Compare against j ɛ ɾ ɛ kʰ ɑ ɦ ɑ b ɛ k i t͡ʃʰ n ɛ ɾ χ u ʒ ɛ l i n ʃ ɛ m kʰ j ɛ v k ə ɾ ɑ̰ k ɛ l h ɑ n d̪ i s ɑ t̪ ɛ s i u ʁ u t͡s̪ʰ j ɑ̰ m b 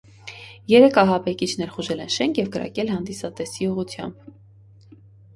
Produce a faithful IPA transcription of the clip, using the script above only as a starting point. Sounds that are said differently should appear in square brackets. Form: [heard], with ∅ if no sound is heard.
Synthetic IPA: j ɛ ɾ ɛ kʰ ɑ ɦ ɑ b ɛ k i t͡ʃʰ n ɛ ɾ χ u ʒ ɛ l [ɛ] n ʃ ɛ [ŋ] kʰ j ɛ v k ə ɾ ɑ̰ k ɛ l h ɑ n d̪ i s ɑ t̪ ɛ s i u ʁ u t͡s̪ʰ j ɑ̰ m b